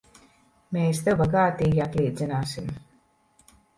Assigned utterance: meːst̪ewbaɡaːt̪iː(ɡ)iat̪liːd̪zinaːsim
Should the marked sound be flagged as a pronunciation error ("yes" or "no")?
no